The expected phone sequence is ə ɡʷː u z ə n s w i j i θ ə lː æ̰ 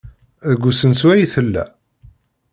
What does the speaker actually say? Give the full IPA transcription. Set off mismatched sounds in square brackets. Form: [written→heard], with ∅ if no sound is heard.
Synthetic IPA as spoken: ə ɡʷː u [z→s] ə n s w [i→æ] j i θ ə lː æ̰